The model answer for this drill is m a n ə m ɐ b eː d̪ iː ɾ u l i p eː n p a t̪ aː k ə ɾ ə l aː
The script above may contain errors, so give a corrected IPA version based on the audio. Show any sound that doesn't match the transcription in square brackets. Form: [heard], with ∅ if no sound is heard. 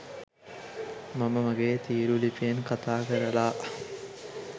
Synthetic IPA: m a [m] ə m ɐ [ɡ] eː [t̪] iː ɾ u l i p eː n [k] a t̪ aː k ə ɾ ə l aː